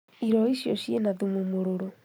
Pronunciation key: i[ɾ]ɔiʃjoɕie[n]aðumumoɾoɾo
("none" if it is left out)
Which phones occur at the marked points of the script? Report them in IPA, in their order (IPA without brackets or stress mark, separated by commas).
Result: ɾ, n